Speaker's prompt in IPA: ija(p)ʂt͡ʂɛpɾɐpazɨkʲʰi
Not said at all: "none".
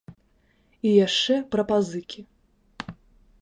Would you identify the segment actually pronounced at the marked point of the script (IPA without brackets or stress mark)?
none